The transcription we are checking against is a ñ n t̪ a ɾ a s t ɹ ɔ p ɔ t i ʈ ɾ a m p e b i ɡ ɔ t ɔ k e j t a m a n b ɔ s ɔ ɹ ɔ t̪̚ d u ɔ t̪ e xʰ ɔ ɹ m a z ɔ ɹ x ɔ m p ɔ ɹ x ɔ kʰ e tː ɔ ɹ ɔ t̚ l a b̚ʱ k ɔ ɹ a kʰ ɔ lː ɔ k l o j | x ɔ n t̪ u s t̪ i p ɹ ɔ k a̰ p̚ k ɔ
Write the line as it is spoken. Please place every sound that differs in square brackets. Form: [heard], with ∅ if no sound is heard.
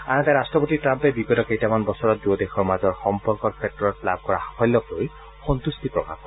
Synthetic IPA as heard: a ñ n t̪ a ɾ a s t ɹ ɔ p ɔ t i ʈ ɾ a m p e b i ɡ ɔ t ɔ k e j t a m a n b ɔ s ɔ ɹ ɔ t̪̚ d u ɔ [d̪] e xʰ ɔ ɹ m a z ɔ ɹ x ɔ m p ɔ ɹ [k] ɔ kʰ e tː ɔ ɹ ɔ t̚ l a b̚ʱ k ɔ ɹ a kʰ ɔ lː ɔ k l o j | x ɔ n t̪ u s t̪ i p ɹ ɔ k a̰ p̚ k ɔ